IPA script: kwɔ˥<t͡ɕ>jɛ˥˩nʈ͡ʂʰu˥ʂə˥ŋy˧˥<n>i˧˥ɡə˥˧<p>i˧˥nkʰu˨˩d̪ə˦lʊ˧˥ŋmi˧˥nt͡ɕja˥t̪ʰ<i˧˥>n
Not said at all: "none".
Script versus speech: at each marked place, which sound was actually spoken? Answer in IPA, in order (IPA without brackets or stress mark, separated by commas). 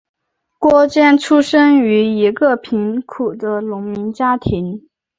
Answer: t͡ɕ, none, pʰ, i˧˥